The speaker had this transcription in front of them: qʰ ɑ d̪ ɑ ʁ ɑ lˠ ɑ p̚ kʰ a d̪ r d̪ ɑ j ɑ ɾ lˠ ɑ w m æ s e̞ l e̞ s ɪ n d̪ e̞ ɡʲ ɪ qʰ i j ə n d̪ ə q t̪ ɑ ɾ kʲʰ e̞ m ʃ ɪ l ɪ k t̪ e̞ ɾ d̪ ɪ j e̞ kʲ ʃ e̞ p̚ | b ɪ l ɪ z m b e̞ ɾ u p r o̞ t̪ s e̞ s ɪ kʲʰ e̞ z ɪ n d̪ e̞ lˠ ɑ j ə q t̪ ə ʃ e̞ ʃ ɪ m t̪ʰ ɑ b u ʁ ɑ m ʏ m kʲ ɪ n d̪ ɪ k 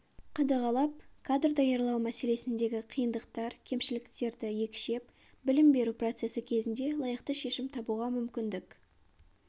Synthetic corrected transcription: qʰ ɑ d̪ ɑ ʁ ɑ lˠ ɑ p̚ kʰ a d̪ r d̪ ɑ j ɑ ɾ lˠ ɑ w m æ s e̞ l e̞ s ɪ n d̪ e̞ ɡʲ ɪ qʰ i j ə n d̪ ə q t̪ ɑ ɾ kʲʰ e̞ m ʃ ɪ l ɪ k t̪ e̞ ɾ d̪ ɪ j e̞ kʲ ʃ e̞ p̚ | b ɪ l ɪ m b e̞ ɾ u p r o̞ t̪ s e̞ s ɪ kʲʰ e̞ z ɪ n d̪ e̞ lˠ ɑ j ə q t̪ ə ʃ e̞ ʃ ɪ m t̪ʰ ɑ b u ʁ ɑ m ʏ m kʲ ɪ n d̪ ɪ k